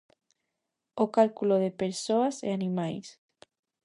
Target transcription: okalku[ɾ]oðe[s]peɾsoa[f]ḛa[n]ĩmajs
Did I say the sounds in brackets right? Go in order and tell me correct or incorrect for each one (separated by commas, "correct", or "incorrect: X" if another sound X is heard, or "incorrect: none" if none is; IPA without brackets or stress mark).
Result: incorrect: l, incorrect: none, incorrect: s, correct